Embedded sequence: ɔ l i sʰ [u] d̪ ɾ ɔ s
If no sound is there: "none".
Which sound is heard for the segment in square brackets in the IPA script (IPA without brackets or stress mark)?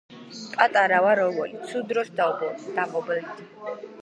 u